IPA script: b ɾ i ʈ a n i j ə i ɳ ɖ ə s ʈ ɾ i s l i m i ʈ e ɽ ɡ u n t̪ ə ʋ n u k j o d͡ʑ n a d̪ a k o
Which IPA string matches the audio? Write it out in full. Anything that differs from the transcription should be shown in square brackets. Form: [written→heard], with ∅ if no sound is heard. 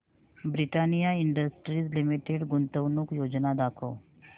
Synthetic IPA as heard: b ɾ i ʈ a n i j [ə→a] i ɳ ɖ ə s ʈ ɾ i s l i m i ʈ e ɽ ɡ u n t̪ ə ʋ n u k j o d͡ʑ n a d̪ a [k→kʰ] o

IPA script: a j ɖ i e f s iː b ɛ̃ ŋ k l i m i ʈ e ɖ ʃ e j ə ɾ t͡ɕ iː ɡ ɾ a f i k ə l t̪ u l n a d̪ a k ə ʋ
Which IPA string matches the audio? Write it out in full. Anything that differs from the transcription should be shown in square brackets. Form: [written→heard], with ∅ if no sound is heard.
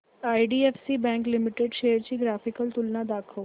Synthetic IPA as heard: a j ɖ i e f s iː b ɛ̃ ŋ k l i m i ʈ e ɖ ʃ e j ə ɾ t͡ɕ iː ɡ ɾ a f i k ə l t̪ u l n a d̪ a [k→kʰ] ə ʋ

